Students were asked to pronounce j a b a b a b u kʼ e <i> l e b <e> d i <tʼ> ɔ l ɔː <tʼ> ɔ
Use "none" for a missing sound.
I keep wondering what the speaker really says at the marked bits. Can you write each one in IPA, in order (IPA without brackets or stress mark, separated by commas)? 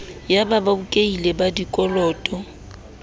i, a, kʼ, tʼ